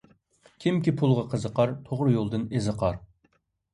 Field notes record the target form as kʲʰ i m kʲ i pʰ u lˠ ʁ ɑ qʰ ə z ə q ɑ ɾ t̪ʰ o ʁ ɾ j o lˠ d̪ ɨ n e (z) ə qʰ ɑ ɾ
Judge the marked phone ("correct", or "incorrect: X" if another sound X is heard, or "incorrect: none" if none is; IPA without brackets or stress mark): correct